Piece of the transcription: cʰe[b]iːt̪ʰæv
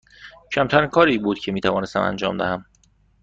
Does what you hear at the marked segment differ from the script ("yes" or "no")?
yes